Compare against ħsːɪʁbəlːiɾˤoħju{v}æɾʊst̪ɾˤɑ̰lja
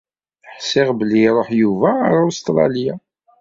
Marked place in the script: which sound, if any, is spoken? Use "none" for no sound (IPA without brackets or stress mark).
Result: v